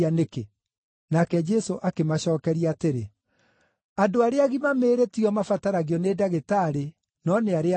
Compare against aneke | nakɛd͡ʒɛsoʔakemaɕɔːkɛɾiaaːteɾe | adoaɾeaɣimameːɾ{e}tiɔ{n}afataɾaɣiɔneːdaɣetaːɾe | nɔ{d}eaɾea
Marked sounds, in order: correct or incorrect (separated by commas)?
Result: correct, incorrect, incorrect